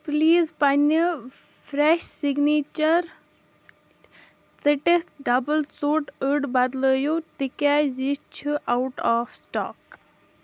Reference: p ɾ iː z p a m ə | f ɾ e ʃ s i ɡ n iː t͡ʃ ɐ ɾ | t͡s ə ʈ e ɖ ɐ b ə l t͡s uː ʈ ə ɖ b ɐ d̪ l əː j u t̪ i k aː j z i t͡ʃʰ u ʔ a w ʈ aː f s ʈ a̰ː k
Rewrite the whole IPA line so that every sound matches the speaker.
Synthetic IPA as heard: p l iː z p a n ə | f ɾ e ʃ s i ɡ n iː t͡ʃ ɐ ɾ | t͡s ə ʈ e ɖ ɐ b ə l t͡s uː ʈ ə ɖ b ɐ d̪ l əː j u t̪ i k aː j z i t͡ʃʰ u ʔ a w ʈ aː f s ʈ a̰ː k